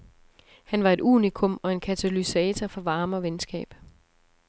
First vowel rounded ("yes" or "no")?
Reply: no